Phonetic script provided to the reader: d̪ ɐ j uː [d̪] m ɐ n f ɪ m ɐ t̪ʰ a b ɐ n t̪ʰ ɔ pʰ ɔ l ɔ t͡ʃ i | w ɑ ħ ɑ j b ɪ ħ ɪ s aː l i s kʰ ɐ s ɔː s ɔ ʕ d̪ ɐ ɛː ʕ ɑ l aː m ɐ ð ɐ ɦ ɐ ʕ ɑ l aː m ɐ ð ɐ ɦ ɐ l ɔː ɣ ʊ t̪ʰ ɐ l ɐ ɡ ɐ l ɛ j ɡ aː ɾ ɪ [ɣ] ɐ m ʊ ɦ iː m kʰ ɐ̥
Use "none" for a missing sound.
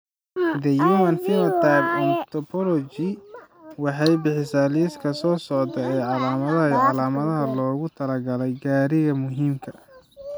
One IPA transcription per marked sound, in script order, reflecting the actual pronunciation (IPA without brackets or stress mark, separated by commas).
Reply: none, ɣ